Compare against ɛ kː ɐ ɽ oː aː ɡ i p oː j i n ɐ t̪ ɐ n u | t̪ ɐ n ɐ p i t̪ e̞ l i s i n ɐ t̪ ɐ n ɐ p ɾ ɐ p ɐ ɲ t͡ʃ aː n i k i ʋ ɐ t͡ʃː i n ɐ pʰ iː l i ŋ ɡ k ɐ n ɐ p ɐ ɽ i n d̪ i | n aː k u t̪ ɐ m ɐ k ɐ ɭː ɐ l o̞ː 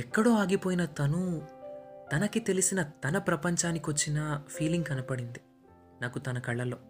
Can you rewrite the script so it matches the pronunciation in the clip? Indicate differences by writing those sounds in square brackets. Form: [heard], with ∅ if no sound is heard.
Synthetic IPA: ɛ kː ɐ ɽ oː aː ɡ i p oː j i n ɐ t̪ ɐ n u | t̪ ɐ n ɐ [k] i t̪ e̞ l i s i n ɐ t̪ ɐ n ɐ p ɾ ɐ p ɐ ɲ t͡ʃ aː n i k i ʋ ɐ t͡ʃː i n ɐ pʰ iː l i ŋ ɡ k ɐ n ɐ p ɐ ɽ i n d̪ i | n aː k u t̪ ɐ [n] ɐ k ɐ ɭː ɐ l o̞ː